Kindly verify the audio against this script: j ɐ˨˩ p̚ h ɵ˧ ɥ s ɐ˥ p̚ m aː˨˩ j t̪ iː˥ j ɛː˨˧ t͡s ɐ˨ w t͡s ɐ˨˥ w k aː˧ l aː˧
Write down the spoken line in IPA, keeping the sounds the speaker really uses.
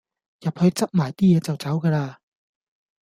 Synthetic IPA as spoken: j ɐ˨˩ p̚ h ɵ˧ ɥ t͡s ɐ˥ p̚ m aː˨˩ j t̪ iː˥ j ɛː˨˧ t͡s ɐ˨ w t͡s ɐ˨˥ w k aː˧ l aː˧